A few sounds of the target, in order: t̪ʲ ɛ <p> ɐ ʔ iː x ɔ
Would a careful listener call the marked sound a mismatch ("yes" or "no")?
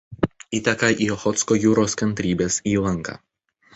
yes